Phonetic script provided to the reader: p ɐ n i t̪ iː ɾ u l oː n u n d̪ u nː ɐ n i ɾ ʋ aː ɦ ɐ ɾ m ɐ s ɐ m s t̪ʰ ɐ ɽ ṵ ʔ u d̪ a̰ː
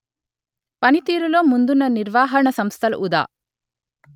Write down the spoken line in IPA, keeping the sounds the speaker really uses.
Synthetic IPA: p ɐ n i t̪ iː ɾ u l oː m u n d̪ u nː ɐ n i ɾ ʋ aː ɦ ɐ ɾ ɳ ɐ s ɐ m s t̪ʰ ɐ l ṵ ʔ u d̪ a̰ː

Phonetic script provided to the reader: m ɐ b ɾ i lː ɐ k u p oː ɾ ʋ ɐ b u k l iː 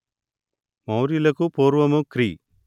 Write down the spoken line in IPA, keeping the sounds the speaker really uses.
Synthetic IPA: m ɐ w ɾ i l ɐ k u p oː ɾ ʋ ɐ m u k ɾ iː

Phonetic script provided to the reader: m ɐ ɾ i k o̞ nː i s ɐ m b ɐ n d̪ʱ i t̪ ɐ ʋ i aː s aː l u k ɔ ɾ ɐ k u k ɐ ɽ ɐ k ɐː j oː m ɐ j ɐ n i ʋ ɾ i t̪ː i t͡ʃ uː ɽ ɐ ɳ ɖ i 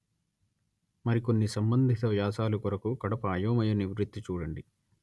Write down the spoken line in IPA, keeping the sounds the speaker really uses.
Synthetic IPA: m ɐ ɾ i k o̞ nː i s ɐ m b ɐ n d̪ʱ i t̪ ɐ ʋ j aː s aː l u k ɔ ɾ ɐ k u k ɐ ɽ ɐ p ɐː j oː m ɐ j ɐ n i ʋ ɾ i t̪ː i t͡ʃ uː ɽ ɐ ɳ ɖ i

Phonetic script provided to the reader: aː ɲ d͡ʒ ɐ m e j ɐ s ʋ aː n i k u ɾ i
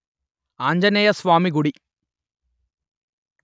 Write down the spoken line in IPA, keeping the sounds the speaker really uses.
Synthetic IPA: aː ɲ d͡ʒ ɐ n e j ɐ s ʋ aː m i ɡ u ɽ i

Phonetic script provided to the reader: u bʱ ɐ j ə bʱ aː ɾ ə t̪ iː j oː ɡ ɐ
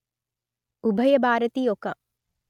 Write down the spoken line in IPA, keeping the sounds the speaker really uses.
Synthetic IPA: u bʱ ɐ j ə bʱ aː ɾ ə t̪ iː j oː k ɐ

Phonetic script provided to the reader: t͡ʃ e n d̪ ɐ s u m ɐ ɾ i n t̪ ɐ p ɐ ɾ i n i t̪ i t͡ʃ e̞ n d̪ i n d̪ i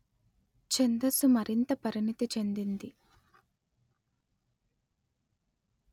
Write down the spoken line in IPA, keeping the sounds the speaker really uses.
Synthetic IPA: t͡ʃ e n d̪ ɐ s u m ɐ ɾ i n t̪ ɐ p ɐ ɾ i n i t̪ i t͡ʃ e̞ n d̪ i n d̪ i

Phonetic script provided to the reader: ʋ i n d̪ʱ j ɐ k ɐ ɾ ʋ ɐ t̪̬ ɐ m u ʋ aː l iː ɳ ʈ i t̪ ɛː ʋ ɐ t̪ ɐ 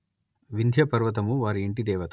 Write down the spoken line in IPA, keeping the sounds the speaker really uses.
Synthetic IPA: ʋ i n d̪ʱ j ɐ p ɐ ɾ ʋ ɐ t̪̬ ɐ m u ʋ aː ɾ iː ɳ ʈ i d̪ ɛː ʋ ɐ t̪ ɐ

